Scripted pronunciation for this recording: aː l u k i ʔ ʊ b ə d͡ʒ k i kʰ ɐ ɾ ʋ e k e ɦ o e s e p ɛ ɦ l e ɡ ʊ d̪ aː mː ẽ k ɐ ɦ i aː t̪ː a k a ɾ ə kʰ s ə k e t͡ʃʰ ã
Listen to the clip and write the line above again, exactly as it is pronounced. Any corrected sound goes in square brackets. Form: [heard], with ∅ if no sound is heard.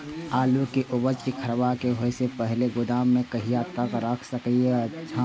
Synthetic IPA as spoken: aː l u k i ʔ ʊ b ə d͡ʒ k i kʰ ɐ ɾ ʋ [a] k e ɦ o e s e p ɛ ɦ l e ɡ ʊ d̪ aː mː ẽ k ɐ ɦ i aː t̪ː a k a ɾ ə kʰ s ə k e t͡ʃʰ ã